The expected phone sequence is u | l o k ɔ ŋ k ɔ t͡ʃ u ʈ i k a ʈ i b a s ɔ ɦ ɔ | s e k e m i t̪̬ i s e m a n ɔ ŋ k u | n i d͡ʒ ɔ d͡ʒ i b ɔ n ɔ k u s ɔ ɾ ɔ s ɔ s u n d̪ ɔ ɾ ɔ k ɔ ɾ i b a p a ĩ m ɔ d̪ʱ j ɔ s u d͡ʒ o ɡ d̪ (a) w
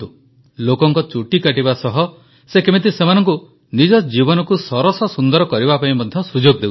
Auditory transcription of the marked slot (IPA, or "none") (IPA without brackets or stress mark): e